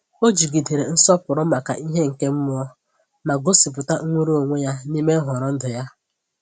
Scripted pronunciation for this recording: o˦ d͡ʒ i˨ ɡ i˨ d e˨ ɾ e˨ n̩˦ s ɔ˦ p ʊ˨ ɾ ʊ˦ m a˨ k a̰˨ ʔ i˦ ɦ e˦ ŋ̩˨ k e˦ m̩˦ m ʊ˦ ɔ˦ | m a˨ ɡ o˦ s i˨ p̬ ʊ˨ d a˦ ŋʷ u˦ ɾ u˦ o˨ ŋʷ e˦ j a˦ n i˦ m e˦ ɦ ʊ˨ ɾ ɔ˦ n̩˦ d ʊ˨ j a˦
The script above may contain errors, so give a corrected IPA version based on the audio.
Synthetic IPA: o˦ d͡ʒ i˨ ɡ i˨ d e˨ ɾ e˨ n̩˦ s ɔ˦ p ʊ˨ ɾ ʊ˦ m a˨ k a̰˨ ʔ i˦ ɦ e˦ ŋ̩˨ k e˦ m̩˦ m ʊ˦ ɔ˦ | m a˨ ɡ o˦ s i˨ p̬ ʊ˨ t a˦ ŋʷ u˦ ɾ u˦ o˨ ŋʷ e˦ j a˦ n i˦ m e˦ ɦ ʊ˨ ɾ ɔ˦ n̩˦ d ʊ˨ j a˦